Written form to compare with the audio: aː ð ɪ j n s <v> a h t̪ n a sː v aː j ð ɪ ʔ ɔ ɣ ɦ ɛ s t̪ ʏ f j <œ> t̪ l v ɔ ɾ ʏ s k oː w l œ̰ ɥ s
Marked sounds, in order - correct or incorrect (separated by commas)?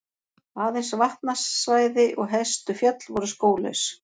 correct, correct